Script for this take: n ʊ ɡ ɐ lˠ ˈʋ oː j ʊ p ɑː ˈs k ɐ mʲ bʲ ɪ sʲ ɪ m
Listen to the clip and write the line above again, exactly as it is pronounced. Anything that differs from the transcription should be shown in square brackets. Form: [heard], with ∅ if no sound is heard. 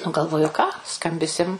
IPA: n ʊ ɡ ɐ lˠ ˈʋ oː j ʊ [k] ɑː ˈs k ɐ mʲ bʲ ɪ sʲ ɪ m